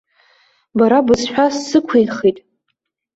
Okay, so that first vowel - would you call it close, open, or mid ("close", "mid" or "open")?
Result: open